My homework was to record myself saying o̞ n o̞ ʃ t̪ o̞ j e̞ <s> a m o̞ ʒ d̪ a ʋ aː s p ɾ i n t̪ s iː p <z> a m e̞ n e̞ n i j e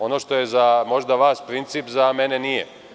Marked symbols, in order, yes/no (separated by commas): no, yes